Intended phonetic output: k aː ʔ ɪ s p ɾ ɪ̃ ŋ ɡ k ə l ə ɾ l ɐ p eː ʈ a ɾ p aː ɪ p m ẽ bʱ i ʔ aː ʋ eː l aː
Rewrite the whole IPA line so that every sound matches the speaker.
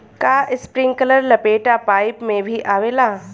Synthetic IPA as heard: k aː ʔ ɪ s p ɾ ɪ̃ ŋ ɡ k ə l ə ɾ l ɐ p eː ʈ a p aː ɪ p m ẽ bʱ i ʔ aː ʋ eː l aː